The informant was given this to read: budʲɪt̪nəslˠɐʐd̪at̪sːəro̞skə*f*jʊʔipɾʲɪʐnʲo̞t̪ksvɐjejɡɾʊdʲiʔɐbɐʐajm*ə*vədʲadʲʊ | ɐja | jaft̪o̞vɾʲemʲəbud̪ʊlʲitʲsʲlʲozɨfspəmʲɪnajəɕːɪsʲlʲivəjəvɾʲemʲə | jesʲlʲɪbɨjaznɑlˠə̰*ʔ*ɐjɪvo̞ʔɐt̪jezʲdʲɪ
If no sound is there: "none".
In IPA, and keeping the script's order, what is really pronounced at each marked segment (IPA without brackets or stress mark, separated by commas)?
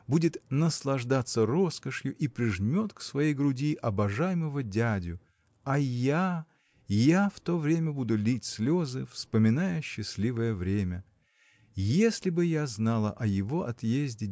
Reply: ʂ, ə, ʔ